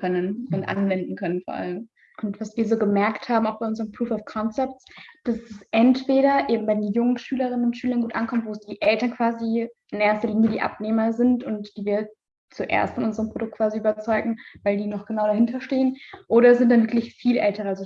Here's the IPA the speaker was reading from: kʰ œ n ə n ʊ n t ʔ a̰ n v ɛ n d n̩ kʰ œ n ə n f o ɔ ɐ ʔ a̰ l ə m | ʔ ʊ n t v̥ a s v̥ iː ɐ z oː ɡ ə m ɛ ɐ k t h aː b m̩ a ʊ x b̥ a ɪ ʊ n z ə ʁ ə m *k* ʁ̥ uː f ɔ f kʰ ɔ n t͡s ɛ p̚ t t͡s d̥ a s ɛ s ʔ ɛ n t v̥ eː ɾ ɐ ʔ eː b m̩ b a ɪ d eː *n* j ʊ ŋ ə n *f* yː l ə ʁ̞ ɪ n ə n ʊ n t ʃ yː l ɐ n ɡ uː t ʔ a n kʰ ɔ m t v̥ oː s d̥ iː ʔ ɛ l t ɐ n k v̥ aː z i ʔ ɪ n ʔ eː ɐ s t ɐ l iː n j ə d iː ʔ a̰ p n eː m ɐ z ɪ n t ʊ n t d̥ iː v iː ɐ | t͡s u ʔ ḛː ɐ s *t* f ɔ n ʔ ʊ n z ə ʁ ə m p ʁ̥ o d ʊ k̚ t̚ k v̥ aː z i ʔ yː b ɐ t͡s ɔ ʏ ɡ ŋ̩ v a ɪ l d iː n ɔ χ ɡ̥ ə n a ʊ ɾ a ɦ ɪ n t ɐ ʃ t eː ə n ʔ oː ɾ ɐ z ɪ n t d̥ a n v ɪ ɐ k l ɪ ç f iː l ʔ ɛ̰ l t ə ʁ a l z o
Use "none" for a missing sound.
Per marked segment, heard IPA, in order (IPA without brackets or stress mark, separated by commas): p, n, ʃ, t